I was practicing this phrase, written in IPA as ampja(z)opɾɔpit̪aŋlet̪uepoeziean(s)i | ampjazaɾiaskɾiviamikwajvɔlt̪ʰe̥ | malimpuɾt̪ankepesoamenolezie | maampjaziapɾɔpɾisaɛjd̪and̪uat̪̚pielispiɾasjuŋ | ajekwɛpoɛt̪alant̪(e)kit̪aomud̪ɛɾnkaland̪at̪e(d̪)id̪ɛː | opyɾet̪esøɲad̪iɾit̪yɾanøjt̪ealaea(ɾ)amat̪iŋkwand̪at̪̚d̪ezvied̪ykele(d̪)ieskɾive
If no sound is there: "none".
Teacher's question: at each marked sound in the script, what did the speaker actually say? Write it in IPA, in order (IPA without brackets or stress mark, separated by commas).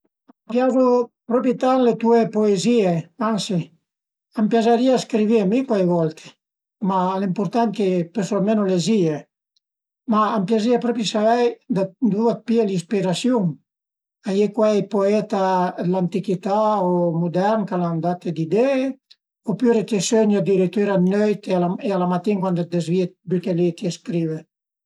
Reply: z, s, i, d̪, l, t̪